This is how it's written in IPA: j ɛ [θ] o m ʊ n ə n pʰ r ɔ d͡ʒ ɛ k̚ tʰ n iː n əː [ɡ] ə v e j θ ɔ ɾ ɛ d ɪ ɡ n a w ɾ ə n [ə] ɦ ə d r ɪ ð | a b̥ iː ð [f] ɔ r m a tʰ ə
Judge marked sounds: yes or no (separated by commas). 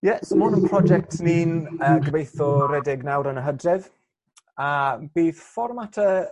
no, yes, yes, yes